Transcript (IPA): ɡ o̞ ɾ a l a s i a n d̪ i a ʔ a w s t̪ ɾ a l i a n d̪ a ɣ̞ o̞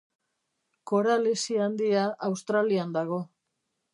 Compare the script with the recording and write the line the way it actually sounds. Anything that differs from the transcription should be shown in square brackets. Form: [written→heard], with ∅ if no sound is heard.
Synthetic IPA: [ɡ→k] o̞ ɾ a l [a→e] s i a n d̪ i a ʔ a w s t̪ ɾ a l i a n d̪ a ɣ̞ o̞